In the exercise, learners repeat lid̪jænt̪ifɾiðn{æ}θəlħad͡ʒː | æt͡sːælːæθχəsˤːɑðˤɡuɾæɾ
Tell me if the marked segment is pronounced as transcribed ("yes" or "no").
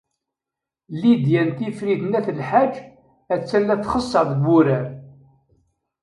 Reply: yes